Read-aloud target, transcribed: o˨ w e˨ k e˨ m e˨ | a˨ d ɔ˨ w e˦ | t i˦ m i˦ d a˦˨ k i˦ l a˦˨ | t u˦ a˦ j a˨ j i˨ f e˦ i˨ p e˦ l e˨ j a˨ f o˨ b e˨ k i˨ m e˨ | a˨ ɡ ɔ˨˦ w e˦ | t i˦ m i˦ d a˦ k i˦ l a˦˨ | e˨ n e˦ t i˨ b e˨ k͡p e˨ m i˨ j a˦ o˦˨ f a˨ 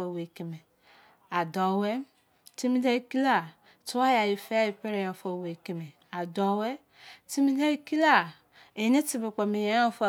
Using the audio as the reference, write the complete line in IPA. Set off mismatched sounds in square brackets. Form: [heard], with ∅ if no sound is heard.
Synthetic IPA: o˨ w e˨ k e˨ m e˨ | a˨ d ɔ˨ w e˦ | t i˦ m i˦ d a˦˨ k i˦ l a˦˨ | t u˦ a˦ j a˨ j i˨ f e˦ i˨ p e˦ [ɾ] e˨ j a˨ f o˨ [w] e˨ k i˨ m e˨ | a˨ [d] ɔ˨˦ w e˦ | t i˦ m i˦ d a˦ k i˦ l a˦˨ | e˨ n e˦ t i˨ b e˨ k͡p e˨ m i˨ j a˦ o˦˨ f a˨